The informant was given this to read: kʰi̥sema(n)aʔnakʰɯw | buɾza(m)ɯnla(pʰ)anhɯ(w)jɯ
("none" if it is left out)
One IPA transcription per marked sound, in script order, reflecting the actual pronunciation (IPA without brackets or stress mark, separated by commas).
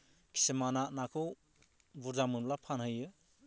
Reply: n, m, pʰ, none